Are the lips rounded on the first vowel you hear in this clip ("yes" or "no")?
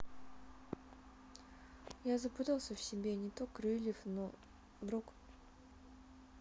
no